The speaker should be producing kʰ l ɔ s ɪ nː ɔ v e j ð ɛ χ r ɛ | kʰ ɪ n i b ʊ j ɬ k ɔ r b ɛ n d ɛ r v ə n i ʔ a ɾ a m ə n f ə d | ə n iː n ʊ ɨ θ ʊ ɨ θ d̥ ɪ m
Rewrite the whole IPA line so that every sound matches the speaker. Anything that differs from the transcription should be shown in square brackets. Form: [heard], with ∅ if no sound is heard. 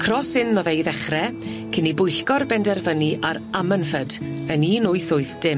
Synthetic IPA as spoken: kʰ [r] ɔ s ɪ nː ɔ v e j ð ɛ χ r ɛ | kʰ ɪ n i b ʊ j ɬ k ɔ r b ɛ n d ɛ r v ə n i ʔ a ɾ a m ə n f ə d | ə n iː n ʊ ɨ θ ʊ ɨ θ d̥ ɪ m